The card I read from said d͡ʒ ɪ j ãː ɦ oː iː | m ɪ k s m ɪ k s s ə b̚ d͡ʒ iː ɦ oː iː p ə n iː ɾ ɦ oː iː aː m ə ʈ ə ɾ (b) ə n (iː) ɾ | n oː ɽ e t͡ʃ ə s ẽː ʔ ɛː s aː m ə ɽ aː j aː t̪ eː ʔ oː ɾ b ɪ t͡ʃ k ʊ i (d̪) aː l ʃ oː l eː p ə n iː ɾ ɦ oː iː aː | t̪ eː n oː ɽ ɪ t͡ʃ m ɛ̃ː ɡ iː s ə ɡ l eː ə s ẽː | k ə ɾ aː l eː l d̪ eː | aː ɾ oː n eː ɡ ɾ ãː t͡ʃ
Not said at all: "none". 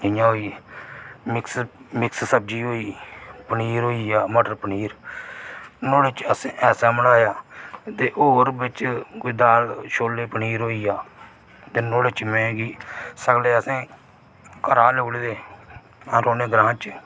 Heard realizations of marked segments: p, iː, d̪

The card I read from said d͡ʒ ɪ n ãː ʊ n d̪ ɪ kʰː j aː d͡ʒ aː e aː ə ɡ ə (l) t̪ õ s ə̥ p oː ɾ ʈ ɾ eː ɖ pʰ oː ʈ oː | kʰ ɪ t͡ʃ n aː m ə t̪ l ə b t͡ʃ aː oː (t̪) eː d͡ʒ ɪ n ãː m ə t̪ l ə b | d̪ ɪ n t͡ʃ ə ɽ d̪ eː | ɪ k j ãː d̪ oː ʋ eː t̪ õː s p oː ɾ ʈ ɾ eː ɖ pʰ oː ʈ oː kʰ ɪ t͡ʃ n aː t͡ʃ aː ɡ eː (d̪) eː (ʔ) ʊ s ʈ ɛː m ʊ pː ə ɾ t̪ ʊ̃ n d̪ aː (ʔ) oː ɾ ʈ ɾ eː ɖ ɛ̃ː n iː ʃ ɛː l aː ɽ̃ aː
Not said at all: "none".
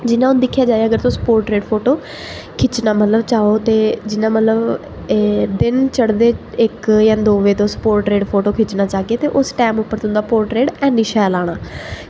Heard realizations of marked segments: ɾ, t̪, t̪, ʔ, p

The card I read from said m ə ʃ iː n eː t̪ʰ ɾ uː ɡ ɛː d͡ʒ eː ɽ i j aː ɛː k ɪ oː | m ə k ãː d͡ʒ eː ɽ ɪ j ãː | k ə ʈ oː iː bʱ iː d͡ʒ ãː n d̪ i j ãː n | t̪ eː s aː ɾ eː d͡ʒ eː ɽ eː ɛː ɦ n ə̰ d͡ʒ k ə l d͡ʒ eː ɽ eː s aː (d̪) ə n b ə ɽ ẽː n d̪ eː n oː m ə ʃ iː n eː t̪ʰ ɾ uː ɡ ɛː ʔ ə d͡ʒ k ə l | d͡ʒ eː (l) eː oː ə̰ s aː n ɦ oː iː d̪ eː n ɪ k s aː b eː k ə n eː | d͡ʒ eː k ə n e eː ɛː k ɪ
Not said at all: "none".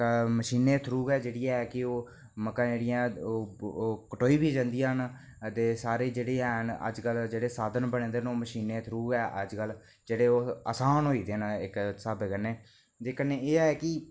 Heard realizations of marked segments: d̪, ɽ

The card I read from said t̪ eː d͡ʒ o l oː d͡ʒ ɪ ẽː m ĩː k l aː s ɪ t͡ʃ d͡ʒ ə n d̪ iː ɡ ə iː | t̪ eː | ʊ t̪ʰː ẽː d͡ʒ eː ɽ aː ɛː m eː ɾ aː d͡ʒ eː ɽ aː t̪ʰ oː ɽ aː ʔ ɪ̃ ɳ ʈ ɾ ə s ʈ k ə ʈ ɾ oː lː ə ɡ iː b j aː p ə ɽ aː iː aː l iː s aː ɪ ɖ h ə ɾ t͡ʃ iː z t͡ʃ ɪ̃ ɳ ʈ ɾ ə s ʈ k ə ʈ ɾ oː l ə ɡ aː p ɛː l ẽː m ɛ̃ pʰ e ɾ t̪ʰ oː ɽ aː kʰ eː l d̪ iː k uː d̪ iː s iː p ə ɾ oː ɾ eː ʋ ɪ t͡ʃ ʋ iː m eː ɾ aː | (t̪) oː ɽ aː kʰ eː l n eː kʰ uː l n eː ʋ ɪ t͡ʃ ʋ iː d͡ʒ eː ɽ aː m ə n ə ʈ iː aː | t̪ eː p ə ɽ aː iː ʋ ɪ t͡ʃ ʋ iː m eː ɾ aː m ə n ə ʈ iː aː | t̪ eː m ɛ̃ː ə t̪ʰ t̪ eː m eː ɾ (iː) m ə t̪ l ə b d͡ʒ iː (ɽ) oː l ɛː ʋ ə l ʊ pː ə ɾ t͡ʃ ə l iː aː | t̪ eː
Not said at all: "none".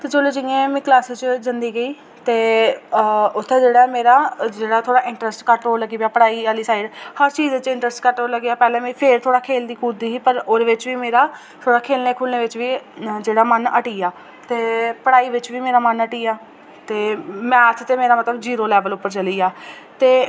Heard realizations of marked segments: t̪ʰ, aː, ɾ

